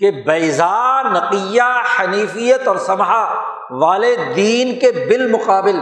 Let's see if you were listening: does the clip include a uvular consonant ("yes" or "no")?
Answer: yes